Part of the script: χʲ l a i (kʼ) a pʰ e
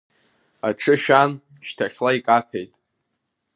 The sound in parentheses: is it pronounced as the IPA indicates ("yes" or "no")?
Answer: yes